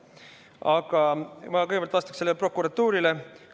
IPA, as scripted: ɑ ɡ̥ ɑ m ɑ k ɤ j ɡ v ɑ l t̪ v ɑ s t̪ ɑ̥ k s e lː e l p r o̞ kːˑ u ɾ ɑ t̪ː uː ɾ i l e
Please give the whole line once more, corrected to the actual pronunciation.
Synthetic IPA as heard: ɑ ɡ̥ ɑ m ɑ k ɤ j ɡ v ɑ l t̪ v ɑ s t̪ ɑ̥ k s e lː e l p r o̞ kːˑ u ɾ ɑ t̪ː uː ɾ i l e